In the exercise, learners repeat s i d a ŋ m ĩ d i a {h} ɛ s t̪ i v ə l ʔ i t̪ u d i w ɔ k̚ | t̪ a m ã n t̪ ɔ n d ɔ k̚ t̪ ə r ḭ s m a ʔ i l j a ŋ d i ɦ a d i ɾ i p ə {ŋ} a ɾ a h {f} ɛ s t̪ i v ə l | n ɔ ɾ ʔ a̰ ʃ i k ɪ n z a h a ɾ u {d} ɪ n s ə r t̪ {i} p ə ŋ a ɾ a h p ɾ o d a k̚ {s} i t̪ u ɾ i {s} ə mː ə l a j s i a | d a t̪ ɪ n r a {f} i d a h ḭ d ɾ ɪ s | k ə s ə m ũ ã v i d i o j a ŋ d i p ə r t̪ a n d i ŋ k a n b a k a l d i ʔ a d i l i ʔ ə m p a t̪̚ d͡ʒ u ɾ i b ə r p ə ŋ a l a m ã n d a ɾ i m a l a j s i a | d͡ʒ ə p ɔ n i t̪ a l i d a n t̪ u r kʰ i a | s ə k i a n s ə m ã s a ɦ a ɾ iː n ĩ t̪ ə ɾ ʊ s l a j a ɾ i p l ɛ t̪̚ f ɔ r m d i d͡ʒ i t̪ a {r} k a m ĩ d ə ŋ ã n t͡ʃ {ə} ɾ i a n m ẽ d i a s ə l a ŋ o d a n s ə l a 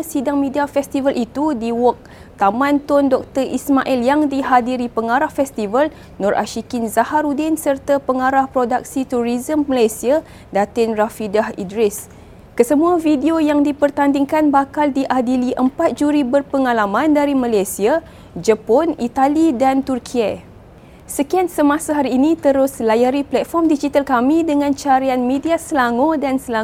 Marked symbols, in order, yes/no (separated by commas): no, yes, yes, yes, no, yes, no, yes, no, no